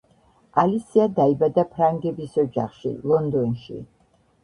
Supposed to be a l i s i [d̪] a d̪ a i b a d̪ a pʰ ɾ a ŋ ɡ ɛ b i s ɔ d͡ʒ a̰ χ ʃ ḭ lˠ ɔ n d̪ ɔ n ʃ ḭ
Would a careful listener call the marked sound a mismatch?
yes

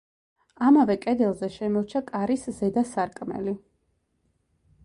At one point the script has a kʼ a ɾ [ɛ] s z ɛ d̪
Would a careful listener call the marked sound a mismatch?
yes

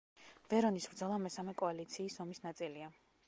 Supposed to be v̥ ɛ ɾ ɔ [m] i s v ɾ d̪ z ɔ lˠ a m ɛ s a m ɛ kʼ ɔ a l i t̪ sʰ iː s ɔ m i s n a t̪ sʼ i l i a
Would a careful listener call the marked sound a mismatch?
yes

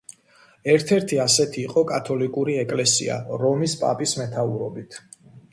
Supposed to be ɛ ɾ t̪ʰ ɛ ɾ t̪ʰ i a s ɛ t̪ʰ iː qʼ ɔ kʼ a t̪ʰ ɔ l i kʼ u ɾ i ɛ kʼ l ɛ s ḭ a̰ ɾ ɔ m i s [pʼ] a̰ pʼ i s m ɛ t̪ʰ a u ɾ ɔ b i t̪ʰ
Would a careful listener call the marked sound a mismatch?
no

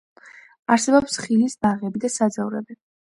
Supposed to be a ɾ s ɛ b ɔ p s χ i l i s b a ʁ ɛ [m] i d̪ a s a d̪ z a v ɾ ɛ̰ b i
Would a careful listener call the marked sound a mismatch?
yes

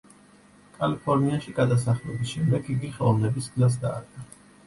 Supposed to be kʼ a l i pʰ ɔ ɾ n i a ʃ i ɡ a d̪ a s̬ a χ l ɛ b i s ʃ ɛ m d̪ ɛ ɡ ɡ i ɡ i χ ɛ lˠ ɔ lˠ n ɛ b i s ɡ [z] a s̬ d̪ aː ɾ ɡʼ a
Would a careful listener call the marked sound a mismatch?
no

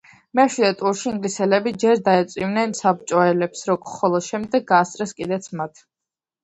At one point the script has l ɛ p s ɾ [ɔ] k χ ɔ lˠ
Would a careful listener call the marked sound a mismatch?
no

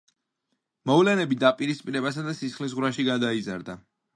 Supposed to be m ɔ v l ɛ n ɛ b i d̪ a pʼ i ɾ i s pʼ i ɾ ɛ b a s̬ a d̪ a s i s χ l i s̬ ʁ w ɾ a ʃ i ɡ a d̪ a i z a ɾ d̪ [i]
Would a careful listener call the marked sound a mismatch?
yes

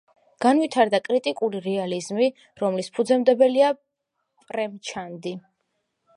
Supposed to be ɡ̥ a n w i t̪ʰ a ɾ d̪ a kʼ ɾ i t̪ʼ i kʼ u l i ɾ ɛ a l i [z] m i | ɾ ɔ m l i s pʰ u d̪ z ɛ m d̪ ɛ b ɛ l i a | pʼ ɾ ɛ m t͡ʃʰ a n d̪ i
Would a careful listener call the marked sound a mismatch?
no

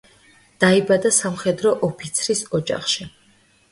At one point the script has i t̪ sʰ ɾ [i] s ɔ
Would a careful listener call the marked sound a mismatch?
no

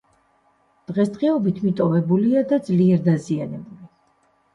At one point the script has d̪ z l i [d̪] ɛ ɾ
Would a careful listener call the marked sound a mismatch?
yes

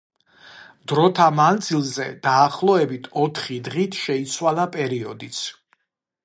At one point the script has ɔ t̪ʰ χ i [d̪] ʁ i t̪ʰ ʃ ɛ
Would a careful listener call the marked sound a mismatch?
no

